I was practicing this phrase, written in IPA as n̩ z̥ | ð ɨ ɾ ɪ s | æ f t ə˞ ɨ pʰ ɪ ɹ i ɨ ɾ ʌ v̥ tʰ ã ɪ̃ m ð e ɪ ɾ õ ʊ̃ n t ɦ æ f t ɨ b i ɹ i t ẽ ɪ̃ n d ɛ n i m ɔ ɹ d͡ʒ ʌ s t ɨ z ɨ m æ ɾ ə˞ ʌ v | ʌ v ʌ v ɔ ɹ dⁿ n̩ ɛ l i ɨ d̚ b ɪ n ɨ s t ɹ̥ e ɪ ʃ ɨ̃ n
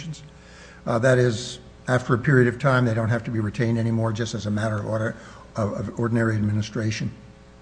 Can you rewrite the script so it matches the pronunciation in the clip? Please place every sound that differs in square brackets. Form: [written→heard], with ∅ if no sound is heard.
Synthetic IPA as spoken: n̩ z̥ | ð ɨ ɾ ɪ [s→z] | æ f t ə˞ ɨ pʰ ɪ ɹ i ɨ ɾ ʌ v̥ tʰ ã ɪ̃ m ð e ɪ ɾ õ ʊ̃ n t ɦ æ f t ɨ b i ɹ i [t→tʰ] ẽ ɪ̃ n d ɛ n i m ɔ ɹ d͡ʒ ʌ s t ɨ z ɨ m æ ɾ ə˞ ʌ v | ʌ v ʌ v ɔ ɹ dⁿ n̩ ɛ [l→ɹ] i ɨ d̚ [b→m] ɪ n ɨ s t ɹ̥ e ɪ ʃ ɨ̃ n